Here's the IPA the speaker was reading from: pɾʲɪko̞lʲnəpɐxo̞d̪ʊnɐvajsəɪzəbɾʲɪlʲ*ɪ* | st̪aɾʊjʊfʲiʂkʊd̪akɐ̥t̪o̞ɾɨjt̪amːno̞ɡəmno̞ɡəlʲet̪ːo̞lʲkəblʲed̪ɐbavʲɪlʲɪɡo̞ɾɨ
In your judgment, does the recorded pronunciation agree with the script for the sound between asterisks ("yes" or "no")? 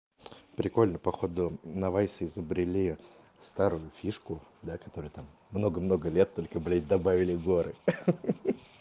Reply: no